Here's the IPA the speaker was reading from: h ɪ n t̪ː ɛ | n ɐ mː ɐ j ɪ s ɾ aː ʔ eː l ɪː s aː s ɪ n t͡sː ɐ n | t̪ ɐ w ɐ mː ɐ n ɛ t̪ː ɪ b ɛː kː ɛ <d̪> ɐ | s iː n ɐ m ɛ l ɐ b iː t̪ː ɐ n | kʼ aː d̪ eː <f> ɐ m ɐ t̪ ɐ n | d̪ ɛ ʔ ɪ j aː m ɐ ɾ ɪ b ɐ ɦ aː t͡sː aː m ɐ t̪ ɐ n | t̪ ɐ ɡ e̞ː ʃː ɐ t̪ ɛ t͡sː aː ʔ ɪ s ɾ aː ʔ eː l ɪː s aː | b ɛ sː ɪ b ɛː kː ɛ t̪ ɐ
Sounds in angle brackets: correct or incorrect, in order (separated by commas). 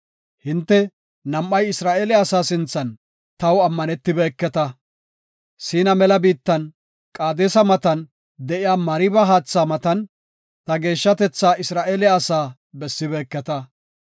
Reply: incorrect, incorrect